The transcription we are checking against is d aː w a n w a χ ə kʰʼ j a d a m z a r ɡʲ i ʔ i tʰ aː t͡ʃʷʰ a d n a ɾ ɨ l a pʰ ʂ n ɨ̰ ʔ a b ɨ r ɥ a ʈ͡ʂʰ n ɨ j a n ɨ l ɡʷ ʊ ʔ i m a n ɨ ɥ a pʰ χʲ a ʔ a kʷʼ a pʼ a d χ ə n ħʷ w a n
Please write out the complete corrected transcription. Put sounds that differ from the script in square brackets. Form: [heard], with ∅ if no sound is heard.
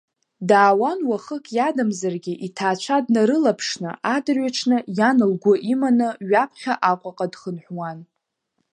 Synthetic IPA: d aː w a n w a χ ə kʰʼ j a d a m z a r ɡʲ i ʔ i tʰ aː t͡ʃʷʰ a d n a ɾ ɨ l a pʰ ʂ n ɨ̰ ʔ a [d] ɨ r ɥ a ʈ͡ʂʰ n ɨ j a n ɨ l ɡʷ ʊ ʔ i m a n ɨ ɥ a pʰ χʲ a ʔ a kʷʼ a [qʼ] a d χ ə n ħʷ w a n